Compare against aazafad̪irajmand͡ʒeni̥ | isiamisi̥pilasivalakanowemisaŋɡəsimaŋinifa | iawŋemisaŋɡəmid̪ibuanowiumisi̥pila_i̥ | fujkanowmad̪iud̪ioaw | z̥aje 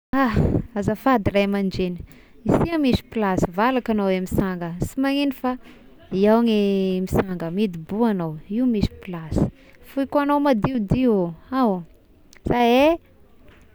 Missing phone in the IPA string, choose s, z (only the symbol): s